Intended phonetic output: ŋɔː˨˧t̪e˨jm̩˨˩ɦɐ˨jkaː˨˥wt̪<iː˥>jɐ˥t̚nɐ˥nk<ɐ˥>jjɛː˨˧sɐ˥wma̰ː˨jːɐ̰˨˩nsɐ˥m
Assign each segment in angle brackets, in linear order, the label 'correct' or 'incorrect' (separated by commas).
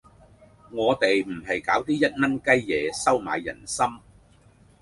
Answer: correct, correct